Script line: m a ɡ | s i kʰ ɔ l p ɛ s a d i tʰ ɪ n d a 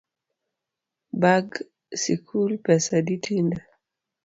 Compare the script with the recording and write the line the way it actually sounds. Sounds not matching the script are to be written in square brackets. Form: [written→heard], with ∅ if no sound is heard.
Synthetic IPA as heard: [m→b] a ɡ | s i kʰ [ɔ→u] l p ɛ s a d i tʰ [ɪ→i] n d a